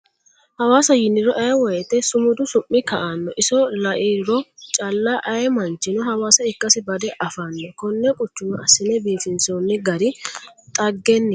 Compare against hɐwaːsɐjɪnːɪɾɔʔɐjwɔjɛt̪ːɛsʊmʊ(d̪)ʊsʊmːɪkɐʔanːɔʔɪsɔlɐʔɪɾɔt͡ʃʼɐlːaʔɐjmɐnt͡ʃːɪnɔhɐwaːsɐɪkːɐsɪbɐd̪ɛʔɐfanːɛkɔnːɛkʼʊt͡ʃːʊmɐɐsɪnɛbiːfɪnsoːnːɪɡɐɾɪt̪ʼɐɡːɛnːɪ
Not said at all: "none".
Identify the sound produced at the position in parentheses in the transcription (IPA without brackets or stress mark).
d̪